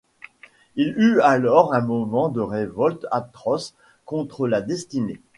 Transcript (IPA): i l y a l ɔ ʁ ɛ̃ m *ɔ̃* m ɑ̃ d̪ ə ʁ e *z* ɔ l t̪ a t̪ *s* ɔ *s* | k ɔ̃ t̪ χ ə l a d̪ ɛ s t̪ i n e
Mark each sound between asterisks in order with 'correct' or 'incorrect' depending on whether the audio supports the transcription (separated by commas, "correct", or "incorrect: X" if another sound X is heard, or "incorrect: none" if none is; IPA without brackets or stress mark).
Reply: incorrect: ɔ, incorrect: v, incorrect: χ, correct